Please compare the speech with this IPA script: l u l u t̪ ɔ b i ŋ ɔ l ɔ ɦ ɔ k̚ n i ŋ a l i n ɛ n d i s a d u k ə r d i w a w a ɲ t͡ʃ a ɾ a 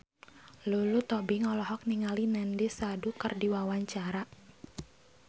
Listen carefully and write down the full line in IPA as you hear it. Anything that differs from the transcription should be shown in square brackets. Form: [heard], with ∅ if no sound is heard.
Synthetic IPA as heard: l u l u t̪ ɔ b i ŋ ɔ l ɔ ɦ ɔ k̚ n i ŋ a l i n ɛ n d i s a d u k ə r d i w a w a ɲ t͡ʃ a ɾ a